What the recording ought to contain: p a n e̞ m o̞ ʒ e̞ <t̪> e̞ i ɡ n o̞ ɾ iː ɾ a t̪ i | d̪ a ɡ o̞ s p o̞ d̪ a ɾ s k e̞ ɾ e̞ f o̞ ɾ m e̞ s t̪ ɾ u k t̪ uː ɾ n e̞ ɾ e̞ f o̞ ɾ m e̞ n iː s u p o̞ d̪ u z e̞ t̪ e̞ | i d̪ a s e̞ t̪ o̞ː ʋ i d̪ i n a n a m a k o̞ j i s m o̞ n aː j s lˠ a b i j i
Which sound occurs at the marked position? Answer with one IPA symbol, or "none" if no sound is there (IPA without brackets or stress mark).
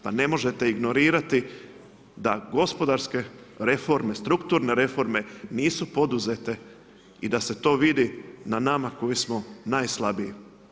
t̪